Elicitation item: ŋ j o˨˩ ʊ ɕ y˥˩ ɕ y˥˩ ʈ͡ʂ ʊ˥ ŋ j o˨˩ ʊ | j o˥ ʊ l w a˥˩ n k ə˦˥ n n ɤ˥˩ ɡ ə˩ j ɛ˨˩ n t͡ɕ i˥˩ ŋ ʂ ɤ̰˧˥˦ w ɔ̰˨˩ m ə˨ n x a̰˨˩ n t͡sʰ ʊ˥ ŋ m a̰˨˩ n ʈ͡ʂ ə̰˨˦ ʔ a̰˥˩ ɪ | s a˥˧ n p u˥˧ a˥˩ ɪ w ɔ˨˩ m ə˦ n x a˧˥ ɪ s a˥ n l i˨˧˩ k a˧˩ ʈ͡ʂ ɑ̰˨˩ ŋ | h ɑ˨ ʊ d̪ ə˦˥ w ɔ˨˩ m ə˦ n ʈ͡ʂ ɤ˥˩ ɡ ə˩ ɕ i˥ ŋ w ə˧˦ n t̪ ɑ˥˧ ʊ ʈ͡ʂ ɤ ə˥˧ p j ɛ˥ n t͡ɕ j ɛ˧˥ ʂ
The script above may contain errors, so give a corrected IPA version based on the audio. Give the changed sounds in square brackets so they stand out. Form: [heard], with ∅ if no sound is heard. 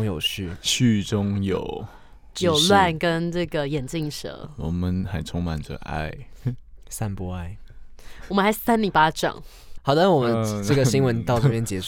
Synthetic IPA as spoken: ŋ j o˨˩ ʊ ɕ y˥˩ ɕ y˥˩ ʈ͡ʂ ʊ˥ ŋ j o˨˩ ʊ | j [o˨˩] ʊ l w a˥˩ n k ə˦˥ n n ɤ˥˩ ɡ ə˩ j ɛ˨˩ n t͡ɕ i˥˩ ŋ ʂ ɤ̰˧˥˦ w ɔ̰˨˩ m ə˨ n x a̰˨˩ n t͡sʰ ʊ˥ ŋ m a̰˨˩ n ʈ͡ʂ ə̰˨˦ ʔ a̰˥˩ ɪ | s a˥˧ n p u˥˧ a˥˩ ɪ w ɔ˨˩ m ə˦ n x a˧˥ ɪ s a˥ n l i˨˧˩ [p] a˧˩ ʈ͡ʂ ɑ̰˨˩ ŋ | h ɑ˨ ʊ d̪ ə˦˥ w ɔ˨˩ m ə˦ n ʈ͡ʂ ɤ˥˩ ɡ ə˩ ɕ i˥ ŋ w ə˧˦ n t̪ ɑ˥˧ ʊ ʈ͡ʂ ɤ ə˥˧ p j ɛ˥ n t͡ɕ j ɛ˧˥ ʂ